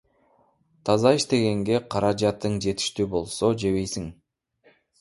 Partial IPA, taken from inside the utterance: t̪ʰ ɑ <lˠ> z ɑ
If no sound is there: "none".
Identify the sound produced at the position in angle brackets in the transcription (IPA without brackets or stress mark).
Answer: none